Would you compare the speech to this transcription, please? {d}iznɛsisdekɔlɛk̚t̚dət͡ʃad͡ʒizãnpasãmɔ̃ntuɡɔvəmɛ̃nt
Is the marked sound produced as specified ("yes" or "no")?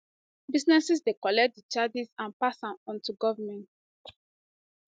no